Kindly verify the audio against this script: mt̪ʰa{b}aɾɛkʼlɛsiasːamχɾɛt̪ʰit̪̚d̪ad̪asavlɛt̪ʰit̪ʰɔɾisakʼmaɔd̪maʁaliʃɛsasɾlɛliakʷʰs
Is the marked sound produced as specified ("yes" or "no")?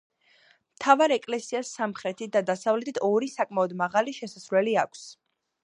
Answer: no